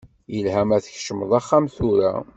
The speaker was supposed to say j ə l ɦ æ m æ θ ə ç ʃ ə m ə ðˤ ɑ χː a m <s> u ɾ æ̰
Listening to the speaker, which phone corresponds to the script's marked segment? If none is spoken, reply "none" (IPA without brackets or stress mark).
θ